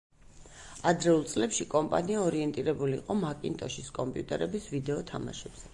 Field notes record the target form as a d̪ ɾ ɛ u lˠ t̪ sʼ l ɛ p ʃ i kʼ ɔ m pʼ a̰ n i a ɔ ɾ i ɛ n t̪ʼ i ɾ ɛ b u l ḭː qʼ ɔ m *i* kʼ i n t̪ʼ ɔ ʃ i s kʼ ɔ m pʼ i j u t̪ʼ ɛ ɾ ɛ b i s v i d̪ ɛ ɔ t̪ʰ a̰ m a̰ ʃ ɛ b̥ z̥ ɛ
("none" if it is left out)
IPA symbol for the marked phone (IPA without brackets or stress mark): a